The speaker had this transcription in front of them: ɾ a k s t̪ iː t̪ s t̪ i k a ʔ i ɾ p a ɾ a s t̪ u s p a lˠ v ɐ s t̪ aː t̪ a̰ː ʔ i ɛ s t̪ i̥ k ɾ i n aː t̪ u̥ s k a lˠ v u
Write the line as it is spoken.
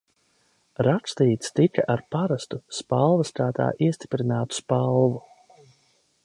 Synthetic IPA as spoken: ɾ a k s t̪ iː t̪ s t̪ i k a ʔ a ɾ p a ɾ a s t̪ u s p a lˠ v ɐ s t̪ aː t̪ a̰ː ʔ i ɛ s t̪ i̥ p ɾ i n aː t̪ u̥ s p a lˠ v u